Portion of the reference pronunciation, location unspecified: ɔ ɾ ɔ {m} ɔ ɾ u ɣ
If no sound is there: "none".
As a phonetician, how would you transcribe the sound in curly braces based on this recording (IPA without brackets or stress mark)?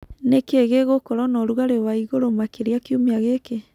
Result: n